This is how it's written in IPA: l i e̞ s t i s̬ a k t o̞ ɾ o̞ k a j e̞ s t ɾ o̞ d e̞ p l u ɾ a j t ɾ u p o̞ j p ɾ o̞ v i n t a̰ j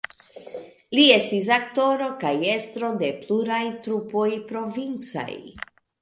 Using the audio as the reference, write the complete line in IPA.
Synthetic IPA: l i e̞ s t i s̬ a k t o̞ ɾ o̞ k a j e̞ s t ɾ o̞ d e̞ p l u ɾ a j t ɾ u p o̞ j p ɾ o̞ v i n t͡s a̰ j